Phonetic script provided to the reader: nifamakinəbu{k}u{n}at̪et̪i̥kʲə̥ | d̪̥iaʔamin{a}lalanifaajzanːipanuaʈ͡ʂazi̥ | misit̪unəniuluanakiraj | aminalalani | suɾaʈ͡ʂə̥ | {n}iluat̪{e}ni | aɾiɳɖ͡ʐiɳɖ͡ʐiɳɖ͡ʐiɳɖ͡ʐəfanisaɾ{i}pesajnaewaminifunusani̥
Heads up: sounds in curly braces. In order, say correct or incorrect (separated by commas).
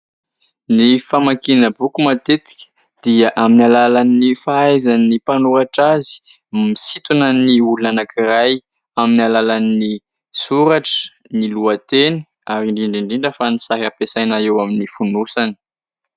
correct, incorrect, correct, correct, correct, incorrect